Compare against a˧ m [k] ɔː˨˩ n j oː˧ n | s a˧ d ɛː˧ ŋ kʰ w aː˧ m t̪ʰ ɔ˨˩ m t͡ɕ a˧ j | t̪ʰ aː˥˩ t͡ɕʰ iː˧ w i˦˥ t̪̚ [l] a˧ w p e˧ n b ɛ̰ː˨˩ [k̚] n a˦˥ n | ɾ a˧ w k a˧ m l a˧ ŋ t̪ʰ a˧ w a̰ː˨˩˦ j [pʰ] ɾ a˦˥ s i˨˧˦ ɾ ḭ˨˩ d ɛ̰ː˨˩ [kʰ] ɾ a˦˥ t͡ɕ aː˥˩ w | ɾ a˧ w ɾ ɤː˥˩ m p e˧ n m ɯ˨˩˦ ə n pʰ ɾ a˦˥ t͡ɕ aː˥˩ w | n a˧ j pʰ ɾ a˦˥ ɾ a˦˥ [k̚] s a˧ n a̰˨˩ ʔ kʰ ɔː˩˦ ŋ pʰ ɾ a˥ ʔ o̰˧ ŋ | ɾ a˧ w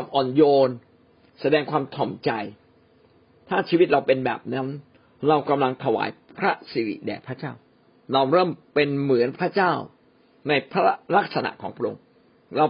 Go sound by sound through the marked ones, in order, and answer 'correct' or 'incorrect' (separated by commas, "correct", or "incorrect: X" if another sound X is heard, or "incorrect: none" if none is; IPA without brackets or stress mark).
incorrect: ʔ, incorrect: ɾ, incorrect: p̚, correct, incorrect: pʰ, correct